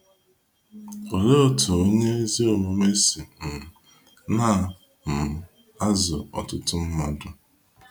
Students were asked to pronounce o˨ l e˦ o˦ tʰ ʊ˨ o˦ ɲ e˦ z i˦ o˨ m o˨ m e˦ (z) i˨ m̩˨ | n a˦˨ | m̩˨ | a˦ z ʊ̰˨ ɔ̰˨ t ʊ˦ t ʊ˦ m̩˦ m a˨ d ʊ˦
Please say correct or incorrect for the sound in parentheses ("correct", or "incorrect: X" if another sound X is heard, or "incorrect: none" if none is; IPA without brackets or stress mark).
incorrect: s